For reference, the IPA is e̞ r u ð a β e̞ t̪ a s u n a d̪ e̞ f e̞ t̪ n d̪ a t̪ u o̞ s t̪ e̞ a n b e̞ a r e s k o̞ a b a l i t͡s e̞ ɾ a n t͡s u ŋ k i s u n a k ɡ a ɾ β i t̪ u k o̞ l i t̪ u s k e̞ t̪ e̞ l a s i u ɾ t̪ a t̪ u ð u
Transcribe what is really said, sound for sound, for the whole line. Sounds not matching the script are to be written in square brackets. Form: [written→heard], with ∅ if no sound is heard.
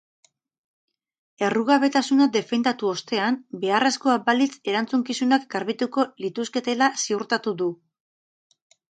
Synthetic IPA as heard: e̞ r u [ð→ɣ] a β e̞ t̪ a s u n a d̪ e̞ f e̞ [t̪→∅] n d̪ a t̪ u o̞ s t̪ e̞ a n b e̞ a r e s k o̞ a b a l i t͡s e̞ ɾ a n t͡s u ŋ k i s u n a k ɡ a ɾ β i t̪ u k o̞ l i t̪ u s k e̞ t̪ e̞ l a s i u ɾ t̪ a t̪ u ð u